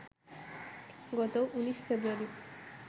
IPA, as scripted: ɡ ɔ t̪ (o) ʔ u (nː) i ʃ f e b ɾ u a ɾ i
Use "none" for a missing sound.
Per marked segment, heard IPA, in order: o, n

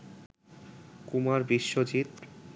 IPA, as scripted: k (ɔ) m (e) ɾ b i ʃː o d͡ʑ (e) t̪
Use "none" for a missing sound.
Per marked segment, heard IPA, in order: u, a, i

